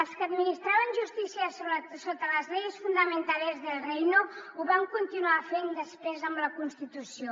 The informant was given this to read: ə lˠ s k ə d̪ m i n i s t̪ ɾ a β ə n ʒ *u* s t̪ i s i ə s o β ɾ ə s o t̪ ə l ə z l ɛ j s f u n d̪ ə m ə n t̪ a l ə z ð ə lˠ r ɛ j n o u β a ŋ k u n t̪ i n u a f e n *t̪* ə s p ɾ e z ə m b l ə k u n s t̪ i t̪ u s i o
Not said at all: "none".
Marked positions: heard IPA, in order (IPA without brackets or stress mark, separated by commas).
u, d̪